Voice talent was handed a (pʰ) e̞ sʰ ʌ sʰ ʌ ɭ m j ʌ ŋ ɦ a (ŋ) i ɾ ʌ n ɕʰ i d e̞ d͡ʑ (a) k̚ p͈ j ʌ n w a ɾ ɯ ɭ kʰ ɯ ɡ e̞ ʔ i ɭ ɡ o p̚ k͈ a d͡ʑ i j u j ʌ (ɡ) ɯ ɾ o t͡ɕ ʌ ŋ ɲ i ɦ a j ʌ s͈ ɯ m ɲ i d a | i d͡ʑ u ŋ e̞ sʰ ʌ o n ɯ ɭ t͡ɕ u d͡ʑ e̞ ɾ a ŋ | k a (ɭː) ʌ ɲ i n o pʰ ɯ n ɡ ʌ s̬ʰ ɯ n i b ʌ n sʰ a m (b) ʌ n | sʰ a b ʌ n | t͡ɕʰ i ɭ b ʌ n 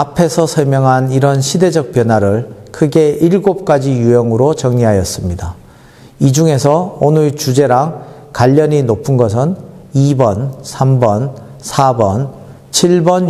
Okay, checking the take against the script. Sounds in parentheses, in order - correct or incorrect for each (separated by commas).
correct, incorrect, incorrect, incorrect, incorrect, correct